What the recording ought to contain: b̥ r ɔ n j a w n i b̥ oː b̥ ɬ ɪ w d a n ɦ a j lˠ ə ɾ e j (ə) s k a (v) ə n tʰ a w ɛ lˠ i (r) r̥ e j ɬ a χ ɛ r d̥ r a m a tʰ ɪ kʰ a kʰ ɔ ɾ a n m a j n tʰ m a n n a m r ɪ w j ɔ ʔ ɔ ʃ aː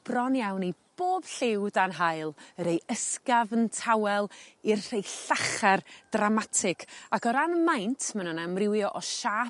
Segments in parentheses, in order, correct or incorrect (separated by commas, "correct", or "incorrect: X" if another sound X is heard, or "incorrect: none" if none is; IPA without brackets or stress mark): correct, correct, correct